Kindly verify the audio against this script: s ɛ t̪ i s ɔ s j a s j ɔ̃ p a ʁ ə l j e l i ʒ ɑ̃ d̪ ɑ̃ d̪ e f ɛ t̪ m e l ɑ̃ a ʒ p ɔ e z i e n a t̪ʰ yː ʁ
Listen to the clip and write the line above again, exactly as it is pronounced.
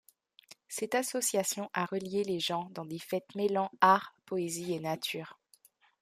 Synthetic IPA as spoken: s ɛ t̪ a s ɔ s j a s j ɔ̃ ʔ a ʁ ə l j e l e ʒ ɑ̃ d̪ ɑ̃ d̪ e f ɛ t̪ m e l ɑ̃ a ʁ p ɔ e z i e n a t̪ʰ yː ʁ